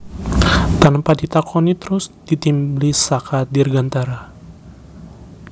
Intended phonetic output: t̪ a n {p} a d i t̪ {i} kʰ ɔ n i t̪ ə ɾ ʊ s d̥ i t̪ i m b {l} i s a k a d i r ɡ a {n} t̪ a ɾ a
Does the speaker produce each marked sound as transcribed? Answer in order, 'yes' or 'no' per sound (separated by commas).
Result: yes, no, yes, yes